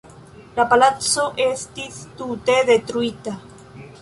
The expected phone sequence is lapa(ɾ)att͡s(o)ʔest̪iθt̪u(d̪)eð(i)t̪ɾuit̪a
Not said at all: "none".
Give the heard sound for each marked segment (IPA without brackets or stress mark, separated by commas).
l, o, t̪, e